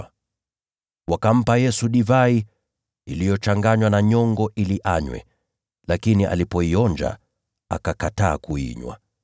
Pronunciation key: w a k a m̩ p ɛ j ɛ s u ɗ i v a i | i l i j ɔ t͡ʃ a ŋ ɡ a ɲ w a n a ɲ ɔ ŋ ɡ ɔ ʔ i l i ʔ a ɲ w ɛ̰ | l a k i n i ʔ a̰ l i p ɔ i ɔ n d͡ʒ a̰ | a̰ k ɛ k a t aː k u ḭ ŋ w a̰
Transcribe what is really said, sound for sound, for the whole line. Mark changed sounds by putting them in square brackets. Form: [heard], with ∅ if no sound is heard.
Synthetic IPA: w a k a m̩ p [a] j ɛ s u ɗ i v a i | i l i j ɔ t͡ʃ a ŋ ɡ a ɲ w a n a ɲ ɔ ŋ ɡ ɔ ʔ i l i ʔ a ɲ w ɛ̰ | l a k i n i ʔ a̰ l i p ɔ i ɔ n d͡ʒ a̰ | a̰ k [a] k a t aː k u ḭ [ɲ] w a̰